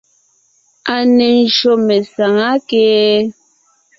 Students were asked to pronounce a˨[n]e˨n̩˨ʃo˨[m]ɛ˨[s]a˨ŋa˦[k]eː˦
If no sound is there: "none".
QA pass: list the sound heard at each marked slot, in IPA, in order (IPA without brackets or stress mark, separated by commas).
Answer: n, m, s, k